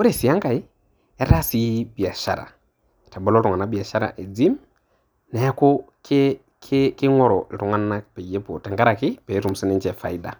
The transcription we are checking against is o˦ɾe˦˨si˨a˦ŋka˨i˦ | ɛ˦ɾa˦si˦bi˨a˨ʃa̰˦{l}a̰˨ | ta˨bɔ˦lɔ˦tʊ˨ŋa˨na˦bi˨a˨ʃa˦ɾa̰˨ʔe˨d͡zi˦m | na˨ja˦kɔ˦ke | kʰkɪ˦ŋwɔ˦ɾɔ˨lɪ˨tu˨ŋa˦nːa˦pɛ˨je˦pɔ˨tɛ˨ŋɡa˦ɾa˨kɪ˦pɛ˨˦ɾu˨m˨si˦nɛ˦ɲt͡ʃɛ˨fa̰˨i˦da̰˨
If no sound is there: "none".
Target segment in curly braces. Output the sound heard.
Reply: ɾ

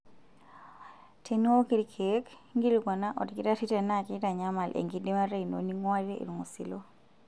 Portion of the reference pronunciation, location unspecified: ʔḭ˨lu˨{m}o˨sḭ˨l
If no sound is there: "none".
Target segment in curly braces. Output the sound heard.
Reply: ŋ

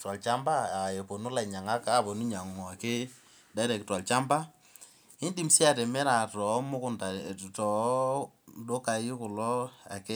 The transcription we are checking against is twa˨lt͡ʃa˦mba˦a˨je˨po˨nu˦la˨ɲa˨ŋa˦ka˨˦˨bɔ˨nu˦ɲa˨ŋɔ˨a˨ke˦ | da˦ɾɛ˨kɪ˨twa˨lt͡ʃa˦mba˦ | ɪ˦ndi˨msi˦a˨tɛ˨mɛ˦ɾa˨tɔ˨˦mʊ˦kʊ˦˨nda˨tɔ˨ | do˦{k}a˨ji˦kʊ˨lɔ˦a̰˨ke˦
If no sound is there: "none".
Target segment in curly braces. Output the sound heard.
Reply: k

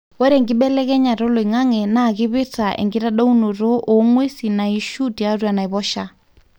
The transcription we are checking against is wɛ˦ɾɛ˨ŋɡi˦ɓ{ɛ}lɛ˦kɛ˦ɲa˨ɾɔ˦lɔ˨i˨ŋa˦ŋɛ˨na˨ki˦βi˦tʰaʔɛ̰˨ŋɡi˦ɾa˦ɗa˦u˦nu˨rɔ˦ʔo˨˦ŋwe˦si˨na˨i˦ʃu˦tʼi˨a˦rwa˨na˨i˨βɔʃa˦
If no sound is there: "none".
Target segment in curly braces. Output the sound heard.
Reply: ɛ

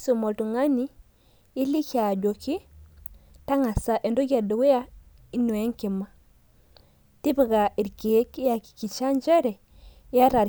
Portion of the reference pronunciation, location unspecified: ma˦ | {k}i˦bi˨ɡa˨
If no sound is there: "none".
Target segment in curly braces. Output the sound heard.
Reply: t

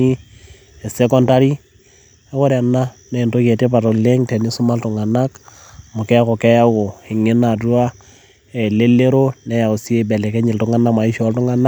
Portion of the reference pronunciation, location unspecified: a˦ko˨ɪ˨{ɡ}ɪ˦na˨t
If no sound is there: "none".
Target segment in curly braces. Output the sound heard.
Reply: ŋ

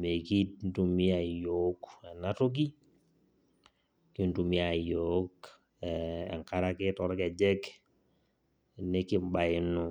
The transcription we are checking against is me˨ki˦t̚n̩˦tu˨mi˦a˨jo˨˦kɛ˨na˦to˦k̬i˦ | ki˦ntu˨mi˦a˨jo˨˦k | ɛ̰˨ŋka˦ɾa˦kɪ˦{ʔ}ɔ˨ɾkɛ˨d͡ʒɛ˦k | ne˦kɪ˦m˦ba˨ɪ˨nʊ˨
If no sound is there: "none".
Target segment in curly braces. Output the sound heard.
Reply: t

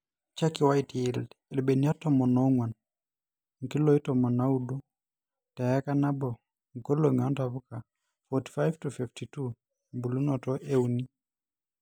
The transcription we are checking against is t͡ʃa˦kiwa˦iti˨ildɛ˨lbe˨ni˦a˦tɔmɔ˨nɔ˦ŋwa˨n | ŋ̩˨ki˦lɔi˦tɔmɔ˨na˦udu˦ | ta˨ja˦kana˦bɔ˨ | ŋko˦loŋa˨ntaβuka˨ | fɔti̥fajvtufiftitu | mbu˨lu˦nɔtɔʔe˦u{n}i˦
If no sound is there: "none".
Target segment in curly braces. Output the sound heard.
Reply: n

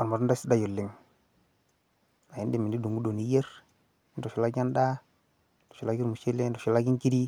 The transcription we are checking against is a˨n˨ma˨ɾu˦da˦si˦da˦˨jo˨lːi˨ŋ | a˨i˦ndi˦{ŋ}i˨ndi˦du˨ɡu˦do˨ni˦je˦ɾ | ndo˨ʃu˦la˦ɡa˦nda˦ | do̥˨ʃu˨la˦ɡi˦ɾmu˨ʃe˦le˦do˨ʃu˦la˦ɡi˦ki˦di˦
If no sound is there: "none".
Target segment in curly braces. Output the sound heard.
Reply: m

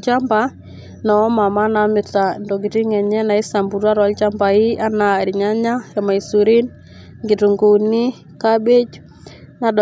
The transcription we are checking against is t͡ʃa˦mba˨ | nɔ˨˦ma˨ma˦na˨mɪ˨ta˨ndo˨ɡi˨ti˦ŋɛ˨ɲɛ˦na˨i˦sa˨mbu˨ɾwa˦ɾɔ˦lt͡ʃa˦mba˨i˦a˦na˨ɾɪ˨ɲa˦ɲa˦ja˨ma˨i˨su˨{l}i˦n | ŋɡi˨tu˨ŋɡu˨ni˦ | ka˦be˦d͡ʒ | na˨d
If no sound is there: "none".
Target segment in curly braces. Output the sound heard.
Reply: ɾ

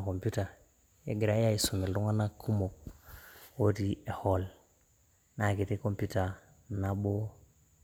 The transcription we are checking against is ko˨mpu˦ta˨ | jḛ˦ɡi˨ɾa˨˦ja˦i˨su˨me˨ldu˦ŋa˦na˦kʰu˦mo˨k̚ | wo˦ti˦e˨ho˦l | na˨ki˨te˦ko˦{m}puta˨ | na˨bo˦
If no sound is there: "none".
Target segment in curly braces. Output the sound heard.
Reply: m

